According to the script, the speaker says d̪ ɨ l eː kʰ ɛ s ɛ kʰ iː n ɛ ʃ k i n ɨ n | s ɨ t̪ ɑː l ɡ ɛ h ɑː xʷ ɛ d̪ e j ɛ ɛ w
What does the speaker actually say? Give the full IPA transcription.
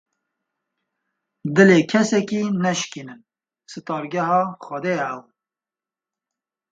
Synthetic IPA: d̪ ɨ l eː kʰ ɛ s ɛ k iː n ɛ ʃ k i n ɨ n | s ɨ t̪ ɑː ɾ ɡ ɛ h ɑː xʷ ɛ d̪ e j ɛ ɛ w